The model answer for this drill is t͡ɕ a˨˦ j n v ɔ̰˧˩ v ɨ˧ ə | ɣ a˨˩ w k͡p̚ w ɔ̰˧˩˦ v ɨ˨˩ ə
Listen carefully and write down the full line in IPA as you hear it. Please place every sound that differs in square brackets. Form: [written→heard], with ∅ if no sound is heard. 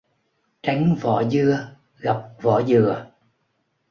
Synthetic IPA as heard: t͡ɕ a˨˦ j [n→ŋ] v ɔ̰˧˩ [v→z] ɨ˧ ə | ɣ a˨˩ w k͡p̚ [w→v] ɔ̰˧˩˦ [v→z] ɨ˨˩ ə

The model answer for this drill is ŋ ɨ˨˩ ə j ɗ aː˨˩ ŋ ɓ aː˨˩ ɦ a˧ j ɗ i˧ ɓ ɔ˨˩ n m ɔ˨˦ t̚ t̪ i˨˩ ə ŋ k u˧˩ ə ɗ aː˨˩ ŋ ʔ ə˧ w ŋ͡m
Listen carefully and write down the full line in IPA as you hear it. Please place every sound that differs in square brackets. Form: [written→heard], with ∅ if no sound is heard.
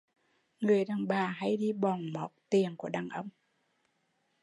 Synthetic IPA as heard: ŋ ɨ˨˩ ə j ɗ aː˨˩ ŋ ɓ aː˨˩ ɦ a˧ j ɗ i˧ ɓ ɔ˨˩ n m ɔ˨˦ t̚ t̪ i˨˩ ə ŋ k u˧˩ ə ɗ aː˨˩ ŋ ʔ ə˧ w ŋ͡m

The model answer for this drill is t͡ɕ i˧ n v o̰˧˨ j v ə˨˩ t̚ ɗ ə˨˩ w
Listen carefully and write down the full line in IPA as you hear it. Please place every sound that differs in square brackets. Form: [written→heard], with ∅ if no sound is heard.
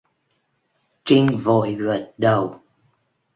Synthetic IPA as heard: t͡ɕ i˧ [n→ŋ] v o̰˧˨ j [v→ɣ] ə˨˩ t̚ ɗ ə˨˩ w

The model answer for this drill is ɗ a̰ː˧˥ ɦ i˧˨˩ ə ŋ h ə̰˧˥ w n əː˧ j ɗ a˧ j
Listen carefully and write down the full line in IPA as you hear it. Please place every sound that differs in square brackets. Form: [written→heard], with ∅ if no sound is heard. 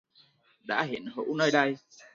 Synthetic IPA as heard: ɗ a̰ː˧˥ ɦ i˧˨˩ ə [ŋ→n] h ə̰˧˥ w n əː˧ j ɗ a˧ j

